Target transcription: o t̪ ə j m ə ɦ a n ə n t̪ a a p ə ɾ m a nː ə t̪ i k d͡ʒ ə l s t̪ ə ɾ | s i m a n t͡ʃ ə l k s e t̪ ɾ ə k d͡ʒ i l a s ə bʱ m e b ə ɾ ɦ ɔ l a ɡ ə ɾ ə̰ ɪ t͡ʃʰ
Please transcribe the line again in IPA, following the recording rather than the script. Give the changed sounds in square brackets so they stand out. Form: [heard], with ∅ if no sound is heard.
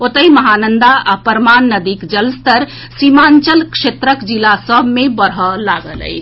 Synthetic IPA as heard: o t̪ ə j m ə ɦ a n ə n [d̪] a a p ə ɾ m a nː ə [d̪] i k d͡ʒ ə l s t̪ ə ɾ | s i m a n t͡ʃ ə l k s e t̪ ɾ ə k d͡ʒ i l a s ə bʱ m e b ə ɾ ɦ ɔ l a ɡ ə [l] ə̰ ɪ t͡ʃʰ